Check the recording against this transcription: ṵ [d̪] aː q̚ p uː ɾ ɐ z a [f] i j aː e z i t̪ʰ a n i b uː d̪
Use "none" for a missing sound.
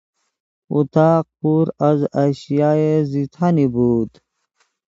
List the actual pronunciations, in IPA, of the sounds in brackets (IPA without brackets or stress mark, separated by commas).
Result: t̪, ɕ